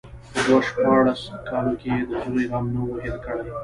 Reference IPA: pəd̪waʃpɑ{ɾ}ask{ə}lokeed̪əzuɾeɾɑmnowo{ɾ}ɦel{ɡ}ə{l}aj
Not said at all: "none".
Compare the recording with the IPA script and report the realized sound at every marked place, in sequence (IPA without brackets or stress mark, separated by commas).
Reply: ɽ, ɑ, none, k, ɽ